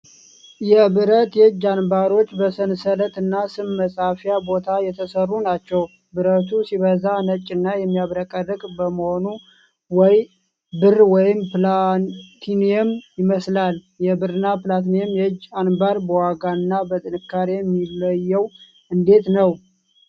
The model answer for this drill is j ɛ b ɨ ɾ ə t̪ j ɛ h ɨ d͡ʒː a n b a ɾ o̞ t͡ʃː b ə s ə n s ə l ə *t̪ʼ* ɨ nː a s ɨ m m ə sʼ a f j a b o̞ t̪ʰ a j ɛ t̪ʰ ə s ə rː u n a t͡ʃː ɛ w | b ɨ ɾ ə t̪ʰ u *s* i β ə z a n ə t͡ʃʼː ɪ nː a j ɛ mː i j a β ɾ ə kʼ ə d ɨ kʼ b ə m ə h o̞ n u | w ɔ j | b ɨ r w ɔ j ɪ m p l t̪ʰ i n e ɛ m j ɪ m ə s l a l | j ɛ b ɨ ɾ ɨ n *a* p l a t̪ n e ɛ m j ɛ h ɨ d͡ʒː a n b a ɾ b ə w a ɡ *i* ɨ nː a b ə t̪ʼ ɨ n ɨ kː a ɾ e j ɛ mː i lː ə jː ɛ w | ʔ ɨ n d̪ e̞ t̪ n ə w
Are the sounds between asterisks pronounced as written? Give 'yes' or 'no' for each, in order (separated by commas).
no, yes, yes, no